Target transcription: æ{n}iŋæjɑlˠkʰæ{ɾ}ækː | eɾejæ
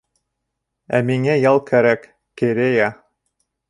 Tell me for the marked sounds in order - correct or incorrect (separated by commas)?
incorrect, correct